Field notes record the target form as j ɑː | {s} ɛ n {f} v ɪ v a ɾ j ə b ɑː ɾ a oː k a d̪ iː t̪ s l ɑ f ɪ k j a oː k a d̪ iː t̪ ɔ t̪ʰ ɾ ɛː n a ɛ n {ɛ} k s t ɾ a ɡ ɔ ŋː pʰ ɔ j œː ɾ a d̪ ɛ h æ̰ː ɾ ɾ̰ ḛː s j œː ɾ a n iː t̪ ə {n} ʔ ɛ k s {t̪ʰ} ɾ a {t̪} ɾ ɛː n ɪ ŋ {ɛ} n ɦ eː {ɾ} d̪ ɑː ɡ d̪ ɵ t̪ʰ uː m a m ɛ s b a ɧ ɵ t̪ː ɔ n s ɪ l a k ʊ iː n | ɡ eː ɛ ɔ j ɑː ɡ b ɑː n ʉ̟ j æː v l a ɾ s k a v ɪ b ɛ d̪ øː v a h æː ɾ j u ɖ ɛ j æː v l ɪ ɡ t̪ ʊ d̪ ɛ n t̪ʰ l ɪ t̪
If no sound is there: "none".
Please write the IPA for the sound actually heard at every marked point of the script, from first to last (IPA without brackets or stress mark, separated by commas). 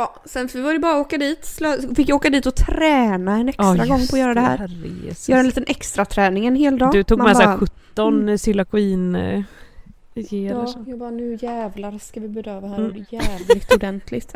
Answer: s, f, ɛ, n, t̪, t̪ʰ, ɛ, l